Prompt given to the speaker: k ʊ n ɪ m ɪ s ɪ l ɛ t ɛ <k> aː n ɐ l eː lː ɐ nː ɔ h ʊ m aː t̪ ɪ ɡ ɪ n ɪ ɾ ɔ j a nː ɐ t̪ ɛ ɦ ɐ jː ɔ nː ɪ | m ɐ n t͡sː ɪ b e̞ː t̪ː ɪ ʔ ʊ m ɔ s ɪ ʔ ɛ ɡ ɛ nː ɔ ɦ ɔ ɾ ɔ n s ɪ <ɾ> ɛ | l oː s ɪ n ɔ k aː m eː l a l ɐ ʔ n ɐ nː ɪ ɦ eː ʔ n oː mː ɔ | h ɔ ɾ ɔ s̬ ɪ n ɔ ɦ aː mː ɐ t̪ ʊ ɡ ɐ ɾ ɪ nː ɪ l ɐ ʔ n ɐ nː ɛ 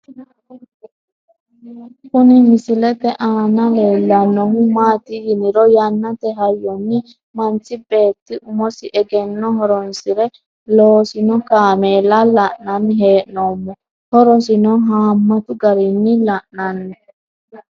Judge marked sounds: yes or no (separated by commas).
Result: no, yes